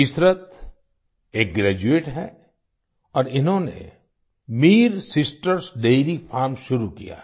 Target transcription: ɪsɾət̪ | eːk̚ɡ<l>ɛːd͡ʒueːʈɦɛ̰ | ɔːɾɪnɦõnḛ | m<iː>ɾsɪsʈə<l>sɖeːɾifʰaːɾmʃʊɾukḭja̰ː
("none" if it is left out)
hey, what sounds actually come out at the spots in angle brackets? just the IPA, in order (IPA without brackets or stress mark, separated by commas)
ɾ, iː, ɾ